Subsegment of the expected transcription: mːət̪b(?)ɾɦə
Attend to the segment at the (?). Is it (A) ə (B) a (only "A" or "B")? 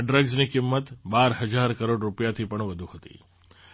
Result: B